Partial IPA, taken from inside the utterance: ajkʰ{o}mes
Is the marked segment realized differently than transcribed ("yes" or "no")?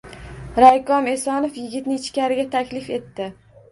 yes